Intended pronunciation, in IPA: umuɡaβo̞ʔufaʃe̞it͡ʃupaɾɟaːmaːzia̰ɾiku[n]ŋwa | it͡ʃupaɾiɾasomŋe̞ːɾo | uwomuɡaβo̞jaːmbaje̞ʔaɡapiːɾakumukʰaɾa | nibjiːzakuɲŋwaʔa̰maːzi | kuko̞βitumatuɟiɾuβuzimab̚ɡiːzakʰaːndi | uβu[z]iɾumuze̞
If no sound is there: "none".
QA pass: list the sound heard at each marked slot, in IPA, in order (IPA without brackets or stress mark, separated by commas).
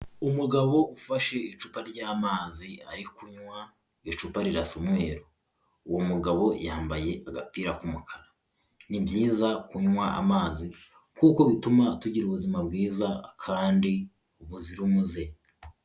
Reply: ɲ, z